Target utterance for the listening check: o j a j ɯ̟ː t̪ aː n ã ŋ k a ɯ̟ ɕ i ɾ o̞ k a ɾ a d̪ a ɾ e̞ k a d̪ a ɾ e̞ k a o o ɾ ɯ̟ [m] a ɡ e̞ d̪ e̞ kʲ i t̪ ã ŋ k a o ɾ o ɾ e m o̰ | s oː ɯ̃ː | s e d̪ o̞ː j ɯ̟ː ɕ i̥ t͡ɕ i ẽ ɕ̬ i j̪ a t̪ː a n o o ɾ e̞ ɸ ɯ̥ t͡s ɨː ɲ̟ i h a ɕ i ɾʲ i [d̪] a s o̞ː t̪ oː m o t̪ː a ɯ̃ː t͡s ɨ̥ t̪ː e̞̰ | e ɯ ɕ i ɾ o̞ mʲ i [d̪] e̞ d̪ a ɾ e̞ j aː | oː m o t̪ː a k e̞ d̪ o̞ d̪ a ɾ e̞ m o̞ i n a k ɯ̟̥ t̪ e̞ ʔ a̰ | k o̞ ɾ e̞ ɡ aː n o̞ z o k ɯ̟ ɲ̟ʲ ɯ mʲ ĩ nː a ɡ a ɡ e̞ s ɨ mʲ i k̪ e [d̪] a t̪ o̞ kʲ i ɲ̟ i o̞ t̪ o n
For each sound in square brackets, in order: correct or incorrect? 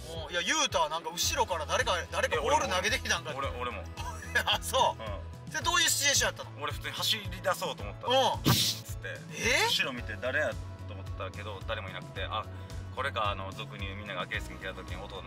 incorrect: n, correct, incorrect: t̪, incorrect: t̪

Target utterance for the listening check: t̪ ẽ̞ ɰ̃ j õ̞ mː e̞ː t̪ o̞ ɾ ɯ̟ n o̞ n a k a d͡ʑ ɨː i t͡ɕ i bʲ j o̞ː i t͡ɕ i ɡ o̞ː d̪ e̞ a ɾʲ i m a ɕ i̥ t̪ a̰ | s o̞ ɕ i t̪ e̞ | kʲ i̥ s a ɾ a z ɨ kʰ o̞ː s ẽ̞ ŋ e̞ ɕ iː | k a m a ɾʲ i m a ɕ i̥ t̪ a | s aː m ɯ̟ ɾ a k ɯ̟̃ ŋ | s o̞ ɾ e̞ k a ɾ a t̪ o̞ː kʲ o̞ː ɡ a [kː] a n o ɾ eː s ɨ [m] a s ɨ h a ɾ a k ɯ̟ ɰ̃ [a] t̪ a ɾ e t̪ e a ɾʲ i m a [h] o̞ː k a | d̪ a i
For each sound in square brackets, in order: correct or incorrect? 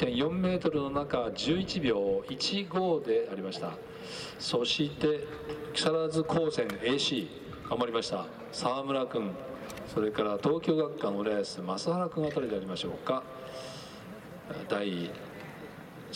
correct, correct, correct, incorrect: ɕ

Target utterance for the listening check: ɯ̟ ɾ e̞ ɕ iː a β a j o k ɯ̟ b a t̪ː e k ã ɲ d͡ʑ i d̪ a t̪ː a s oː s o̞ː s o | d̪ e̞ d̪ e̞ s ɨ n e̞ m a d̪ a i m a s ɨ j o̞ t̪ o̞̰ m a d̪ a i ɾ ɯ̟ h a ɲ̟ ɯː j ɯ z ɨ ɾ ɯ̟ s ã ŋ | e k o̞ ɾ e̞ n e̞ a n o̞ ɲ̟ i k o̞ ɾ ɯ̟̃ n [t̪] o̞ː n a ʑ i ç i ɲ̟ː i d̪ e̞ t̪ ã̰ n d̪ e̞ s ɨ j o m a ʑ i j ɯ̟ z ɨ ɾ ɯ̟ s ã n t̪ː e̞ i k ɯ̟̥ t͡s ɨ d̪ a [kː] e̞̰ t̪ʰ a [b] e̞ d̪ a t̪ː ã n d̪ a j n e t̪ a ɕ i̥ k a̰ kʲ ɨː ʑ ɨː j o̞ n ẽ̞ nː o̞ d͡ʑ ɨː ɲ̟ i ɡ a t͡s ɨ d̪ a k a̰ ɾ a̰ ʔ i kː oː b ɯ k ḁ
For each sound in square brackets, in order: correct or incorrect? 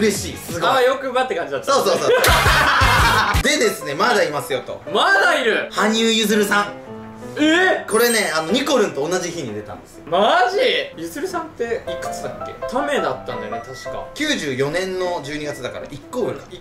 correct, correct, incorrect: m

